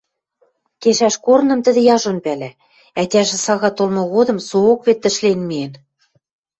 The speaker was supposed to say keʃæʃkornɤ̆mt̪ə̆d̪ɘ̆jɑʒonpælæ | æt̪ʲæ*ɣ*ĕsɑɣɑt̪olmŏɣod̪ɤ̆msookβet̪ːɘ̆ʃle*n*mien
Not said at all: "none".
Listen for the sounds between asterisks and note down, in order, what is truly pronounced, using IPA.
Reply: ʒ, n

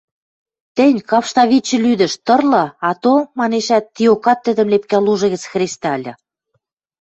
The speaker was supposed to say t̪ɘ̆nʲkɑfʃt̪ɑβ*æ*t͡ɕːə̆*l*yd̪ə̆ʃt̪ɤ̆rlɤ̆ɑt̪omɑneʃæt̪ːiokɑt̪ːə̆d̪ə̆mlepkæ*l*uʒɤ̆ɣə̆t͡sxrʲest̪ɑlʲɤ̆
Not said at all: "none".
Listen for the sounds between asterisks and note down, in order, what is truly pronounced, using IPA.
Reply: i, l, l

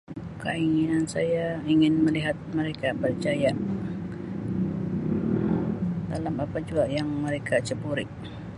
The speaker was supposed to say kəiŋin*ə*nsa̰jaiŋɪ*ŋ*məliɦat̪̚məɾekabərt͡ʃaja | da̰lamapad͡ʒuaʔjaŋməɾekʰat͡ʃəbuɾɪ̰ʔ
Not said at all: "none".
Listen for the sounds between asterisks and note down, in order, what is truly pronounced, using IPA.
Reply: a, n

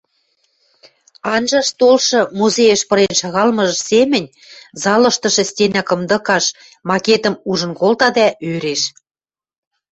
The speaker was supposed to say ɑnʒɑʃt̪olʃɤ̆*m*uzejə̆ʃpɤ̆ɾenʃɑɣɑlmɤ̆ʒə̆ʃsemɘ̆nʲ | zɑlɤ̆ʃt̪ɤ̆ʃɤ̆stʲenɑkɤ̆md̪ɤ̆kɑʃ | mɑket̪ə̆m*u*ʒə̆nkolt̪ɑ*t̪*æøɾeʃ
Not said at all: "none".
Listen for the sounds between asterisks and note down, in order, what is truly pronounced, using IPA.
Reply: m, u, d̪

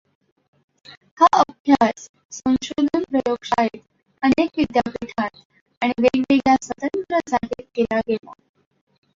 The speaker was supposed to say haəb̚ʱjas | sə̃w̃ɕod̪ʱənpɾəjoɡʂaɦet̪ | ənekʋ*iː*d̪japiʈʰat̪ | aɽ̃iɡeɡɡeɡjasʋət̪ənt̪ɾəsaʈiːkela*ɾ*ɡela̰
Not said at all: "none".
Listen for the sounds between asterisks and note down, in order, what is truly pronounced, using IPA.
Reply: i, none

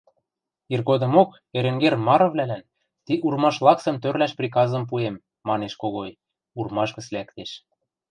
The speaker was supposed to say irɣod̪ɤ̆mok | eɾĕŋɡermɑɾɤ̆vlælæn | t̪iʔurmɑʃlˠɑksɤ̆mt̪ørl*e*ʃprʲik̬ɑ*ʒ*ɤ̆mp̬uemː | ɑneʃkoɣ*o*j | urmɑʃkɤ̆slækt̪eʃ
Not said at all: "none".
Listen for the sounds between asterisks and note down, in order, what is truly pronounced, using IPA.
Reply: æ, z, o

